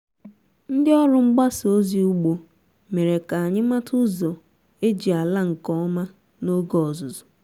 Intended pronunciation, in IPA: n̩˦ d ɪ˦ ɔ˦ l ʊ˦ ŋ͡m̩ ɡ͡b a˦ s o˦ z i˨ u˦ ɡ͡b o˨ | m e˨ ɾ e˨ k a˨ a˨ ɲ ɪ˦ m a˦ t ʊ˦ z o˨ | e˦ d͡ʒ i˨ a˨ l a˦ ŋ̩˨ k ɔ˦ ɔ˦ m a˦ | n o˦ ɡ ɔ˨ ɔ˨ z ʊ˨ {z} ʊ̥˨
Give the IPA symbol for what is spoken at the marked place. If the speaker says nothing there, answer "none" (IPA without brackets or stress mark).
z